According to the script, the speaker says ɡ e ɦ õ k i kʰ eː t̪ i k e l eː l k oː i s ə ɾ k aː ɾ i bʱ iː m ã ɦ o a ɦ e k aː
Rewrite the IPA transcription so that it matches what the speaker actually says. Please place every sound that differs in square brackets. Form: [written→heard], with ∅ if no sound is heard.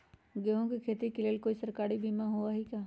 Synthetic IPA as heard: ɡ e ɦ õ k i kʰ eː t̪ i k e l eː l k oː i s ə ɾ k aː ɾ i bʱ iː m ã ɦ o a ɦ [e→i] k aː